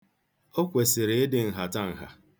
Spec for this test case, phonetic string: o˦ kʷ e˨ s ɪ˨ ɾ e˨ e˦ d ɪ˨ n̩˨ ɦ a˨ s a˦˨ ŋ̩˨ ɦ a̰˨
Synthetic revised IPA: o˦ kʷ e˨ s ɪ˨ ɾ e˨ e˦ d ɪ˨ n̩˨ ɦ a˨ t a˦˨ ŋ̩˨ ɦ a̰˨